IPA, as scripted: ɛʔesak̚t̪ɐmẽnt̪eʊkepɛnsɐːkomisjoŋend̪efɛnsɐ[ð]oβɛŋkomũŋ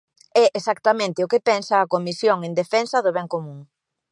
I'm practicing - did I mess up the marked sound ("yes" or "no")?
no